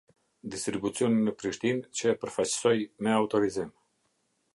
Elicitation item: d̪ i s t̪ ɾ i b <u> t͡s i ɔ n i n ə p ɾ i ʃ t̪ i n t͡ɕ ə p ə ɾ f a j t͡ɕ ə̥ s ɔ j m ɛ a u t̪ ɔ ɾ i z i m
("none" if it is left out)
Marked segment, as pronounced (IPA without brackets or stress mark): u